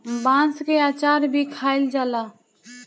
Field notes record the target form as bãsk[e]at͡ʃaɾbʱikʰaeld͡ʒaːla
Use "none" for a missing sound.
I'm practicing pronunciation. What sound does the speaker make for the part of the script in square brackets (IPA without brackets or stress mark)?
e